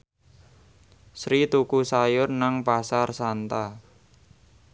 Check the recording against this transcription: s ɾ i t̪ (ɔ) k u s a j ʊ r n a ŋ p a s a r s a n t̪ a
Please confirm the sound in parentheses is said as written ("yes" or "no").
no